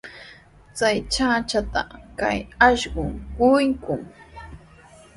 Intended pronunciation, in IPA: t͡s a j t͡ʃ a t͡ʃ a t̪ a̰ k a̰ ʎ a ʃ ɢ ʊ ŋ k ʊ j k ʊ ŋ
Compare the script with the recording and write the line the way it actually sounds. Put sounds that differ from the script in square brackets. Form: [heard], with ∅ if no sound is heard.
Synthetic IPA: t͡s a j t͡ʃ a t͡ʃ a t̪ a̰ k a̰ [j] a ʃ ɢ ʊ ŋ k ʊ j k ʊ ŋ